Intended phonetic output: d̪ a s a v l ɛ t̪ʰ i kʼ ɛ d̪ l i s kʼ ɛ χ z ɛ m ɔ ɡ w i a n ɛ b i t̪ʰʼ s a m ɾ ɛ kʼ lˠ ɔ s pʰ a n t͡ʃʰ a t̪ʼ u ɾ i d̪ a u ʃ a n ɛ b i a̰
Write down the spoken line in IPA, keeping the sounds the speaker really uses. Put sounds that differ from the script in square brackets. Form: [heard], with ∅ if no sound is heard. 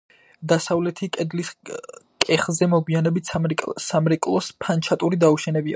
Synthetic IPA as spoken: d̪ a s a v l ɛ t̪ʰ i kʼ ɛ d̪ l i s kʼ ɛ χ z ɛ m ɔ ɡ w i a n ɛ b i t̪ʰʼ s a m ɾ ɛ kʼ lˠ ɔ s pʰ a n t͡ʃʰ a t̪ʼ u ɾ i d̪ a u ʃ [ɛ] n ɛ b i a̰